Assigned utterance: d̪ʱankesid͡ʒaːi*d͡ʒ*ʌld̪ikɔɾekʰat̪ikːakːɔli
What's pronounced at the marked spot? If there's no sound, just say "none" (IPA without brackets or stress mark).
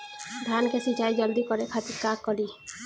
d͡ʒ